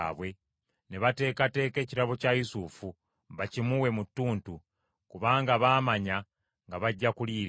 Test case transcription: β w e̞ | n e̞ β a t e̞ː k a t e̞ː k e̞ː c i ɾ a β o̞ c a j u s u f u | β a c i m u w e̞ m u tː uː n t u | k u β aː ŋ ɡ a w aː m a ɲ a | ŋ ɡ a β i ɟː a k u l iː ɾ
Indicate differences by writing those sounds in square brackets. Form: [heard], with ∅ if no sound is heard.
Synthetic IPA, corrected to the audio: β w e̞ | n e̞ β a t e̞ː k a t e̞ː k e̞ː c i ɾ a β o̞ c a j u s u f u | β a c i m u w e̞ m u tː uː n t u | k u β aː ŋ ɡ a [β] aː m a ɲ a | ŋ ɡ a β [a] ɟː a k u l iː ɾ